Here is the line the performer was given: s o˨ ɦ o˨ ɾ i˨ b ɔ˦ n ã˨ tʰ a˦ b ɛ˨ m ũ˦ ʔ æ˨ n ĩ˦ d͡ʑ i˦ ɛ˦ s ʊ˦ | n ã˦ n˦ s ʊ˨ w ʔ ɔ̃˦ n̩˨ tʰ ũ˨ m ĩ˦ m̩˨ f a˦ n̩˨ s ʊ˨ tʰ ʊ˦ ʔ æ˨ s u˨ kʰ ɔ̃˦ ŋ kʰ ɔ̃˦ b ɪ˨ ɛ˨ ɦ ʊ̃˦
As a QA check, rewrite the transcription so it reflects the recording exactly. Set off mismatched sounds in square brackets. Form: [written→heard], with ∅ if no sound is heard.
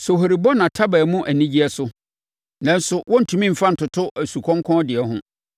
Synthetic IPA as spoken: s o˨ ɦ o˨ ɾ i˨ b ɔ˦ n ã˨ tʰ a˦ b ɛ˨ m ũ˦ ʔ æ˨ n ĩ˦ d͡ʑ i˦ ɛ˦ s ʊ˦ | n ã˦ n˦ s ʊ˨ w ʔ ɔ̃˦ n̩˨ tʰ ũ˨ m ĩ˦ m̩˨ f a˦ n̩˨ [s→t] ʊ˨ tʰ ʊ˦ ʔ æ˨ s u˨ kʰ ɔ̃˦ ŋ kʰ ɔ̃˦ [b→d] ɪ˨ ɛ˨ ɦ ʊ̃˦